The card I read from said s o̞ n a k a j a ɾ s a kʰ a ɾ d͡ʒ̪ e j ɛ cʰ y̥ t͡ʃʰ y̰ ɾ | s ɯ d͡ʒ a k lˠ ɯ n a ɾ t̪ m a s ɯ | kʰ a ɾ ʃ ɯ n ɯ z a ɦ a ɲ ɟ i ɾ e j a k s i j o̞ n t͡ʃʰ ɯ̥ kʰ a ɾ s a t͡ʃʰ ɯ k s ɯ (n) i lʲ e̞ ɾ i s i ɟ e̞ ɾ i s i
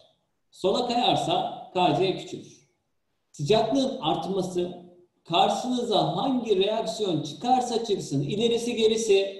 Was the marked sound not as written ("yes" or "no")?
no